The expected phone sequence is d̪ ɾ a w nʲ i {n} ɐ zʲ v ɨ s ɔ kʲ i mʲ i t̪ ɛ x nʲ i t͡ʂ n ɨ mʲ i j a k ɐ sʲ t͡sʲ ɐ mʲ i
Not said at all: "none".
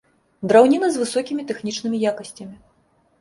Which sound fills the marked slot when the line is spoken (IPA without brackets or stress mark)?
n